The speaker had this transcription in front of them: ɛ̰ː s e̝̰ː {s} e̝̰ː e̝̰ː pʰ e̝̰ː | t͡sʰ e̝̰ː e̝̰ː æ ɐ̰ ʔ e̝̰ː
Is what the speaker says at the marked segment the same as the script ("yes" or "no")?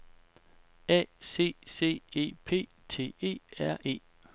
yes